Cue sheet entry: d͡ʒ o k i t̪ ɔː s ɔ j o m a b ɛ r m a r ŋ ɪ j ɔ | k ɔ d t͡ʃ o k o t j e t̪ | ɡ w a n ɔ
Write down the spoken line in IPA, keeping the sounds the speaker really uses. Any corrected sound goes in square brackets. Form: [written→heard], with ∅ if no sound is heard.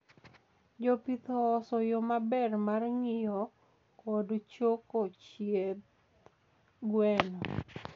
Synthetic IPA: d͡ʒ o [k→p] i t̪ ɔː s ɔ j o m a b ɛ r m a r ŋ ɪ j ɔ | k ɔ d t͡ʃ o k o [t→t͡ʃ] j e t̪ | ɡ w [a→ɛ] n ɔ